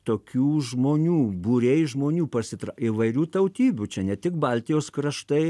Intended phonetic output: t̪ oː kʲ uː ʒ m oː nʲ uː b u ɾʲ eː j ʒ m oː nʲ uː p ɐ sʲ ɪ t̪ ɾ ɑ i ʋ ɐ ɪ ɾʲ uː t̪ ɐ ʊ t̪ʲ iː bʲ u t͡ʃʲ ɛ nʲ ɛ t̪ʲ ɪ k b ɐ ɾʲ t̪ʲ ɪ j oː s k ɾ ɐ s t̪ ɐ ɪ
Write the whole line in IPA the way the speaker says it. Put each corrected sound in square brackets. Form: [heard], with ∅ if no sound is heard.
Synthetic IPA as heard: t̪ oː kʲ uː ʒ m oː nʲ uː b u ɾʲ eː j ʒ m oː nʲ uː p ɐ sʲ ɪ t̪ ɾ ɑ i ʋ ɐ ɪ ɾʲ uː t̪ ɐ ʊ t̪ʲ iː bʲ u t͡ʃʲ ɛ nʲ ɛ t̪ʲ ɪ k b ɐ [lʲ] t̪ʲ ɪ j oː s k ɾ ɐ [ʃ] t̪ ɐ ɪ

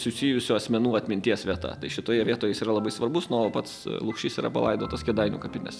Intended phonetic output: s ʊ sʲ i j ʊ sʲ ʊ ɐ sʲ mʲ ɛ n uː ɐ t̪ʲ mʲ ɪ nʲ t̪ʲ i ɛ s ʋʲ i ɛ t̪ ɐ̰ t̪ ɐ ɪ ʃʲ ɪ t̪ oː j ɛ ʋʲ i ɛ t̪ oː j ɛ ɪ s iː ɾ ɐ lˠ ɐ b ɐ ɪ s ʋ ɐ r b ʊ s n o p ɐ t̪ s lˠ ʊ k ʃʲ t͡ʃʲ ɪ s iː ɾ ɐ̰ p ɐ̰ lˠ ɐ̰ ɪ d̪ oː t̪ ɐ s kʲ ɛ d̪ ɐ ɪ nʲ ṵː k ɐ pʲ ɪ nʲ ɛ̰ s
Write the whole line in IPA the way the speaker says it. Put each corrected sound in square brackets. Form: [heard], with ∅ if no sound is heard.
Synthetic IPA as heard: s ʊ sʲ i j ʊ sʲ ʊ ɐ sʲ mʲ ɛ n uː ɐ t̪ʲ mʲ ɪ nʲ t̪ʲ i ɛ s ʋʲ i ɛ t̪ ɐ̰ t̪ ɐ ɪ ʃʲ ɪ t̪ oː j ɛ ʋʲ i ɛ t̪ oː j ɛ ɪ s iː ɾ ɐ lˠ ɐ b ɐ ɪ s ʋ ɐ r b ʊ s n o p ɐ t̪ s lˠ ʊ k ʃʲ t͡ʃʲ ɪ s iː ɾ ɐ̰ p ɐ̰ lˠ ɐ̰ ɪ d̪ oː t̪ ɐ s kʲ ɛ d̪ ɐ ɪ nʲ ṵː k ɐ pʲ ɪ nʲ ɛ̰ s

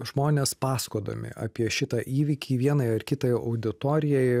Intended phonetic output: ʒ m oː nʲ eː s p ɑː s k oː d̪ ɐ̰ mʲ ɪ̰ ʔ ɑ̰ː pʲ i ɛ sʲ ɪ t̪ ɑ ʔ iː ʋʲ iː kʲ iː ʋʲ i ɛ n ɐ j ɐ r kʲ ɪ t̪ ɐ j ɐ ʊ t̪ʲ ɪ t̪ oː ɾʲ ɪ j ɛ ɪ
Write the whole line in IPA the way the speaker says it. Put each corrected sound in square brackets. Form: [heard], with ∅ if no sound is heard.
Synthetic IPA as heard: ʒ m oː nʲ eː s p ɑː s k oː d̪ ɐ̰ mʲ ɪ̰ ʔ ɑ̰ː pʲ i ɛ [ʃʲ] ɪ t̪ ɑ ʔ iː ʋʲ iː kʲ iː ʋʲ i ɛ n ɐ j ɐ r kʲ ɪ t̪ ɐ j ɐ ʊ [d̪ʲ] ɪ t̪ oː ɾʲ ɪ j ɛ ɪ

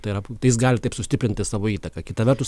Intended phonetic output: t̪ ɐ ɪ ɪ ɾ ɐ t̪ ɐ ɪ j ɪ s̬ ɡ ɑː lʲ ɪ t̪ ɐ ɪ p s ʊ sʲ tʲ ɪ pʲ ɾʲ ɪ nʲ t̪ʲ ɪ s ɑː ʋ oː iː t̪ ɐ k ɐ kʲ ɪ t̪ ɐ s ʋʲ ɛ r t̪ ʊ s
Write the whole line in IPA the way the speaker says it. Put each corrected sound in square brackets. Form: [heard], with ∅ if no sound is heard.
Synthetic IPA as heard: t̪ ɐ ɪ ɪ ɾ ɐ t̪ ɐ ɪ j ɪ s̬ ɡ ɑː lʲ ɪ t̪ ɐ ɪ p s ʊ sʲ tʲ ɪ pʲ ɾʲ ɪ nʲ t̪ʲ ɪ s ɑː ʋ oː iː t̪ ɐ k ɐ kʲ ɪ t̪ ɐ [∅] ʋʲ ɛ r t̪ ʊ s

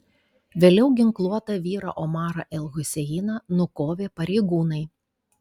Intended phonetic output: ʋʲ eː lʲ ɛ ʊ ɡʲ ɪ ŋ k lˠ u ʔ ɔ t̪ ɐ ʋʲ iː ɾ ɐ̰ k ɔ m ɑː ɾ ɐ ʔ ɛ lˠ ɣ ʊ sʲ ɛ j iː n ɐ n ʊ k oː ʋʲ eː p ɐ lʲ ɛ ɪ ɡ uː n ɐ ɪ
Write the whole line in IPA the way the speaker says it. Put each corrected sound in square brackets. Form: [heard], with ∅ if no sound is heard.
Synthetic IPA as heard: ʋʲ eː lʲ ɛ ʊ ɡʲ ɪ ŋ k lˠ u [∅] ɔ t̪ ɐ ʋʲ iː ɾ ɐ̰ [ʔ] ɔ m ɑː ɾ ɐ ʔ ɛ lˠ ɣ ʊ sʲ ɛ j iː n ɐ n ʊ k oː ʋʲ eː p ɐ [ɾʲ] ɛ ɪ ɡ uː n ɐ ɪ

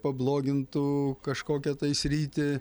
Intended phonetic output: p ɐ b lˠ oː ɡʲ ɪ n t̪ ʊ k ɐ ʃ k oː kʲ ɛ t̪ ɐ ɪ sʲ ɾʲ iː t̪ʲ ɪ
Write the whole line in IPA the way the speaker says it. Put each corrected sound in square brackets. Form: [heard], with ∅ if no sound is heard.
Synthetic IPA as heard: p ɐ b lˠ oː ɡʲ ɪ n t̪ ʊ k ɐ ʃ k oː kʲ ɛ t̪ ɐ ɪ sʲ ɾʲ iː t̪ʲ ɪ

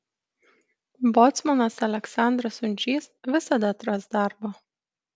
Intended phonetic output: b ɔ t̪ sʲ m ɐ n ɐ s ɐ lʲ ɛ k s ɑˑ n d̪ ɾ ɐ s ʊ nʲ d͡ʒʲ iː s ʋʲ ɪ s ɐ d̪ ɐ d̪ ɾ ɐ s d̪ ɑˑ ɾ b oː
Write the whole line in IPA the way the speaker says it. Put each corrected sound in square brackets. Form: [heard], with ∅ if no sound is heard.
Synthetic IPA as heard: b ɔ t̪ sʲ m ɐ n ɐ s ɐ lʲ ɛ k s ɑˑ n d̪ ɾ ɐ s ʊ nʲ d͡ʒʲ iː s ʋʲ ɪ s ɐ d̪ ɐ [t̪] ɾ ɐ s d̪ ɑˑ ɾ b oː

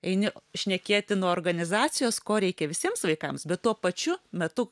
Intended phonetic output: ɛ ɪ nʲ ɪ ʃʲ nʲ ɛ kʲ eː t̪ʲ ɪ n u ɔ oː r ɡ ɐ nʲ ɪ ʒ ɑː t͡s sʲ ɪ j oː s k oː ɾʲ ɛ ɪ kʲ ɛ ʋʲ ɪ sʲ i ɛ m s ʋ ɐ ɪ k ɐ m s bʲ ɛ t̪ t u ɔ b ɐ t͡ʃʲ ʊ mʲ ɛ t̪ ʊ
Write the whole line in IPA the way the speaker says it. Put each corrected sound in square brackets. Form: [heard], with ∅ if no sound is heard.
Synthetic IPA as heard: ɛ ɪ nʲ ɪ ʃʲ nʲ ɛ kʲ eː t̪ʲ ɪ n u ɔ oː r ɡ ɐ nʲ ɪ [z] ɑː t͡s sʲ ɪ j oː s k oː ɾʲ ɛ ɪ kʲ ɛ ʋʲ ɪ sʲ i ɛ m s ʋ ɐ ɪ k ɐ m s bʲ ɛ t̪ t u ɔ [p] ɐ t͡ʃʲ ʊ mʲ ɛ t̪ ʊ

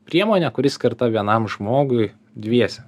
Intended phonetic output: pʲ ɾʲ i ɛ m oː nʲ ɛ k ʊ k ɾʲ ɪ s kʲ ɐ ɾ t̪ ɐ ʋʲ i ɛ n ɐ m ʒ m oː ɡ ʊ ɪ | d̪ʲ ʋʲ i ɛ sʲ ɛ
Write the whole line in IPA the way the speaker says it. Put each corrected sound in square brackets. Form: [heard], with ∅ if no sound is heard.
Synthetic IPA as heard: pʲ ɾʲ i ɛ m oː nʲ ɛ k ʊ [∅] ɾʲ ɪ s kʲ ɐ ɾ t̪ ɐ ʋʲ i ɛ n ɐ m ʒ m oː ɡ ʊ ɪ | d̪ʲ ʋʲ i ɛ sʲ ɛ

